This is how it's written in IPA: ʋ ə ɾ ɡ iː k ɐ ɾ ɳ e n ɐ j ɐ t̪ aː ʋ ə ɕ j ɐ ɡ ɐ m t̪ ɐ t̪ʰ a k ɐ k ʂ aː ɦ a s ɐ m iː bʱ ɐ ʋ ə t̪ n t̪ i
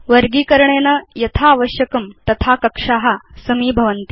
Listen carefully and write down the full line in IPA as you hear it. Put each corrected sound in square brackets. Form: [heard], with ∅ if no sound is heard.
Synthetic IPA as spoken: ʋ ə ɾ ɡ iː k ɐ ɾ ɳ e n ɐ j ɐ [t̪ʰ] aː ʋ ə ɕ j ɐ [k] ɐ m t̪ ɐ t̪ʰ a k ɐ k ʂ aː ɦ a s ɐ m iː bʱ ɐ ʋ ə [∅] n t̪ i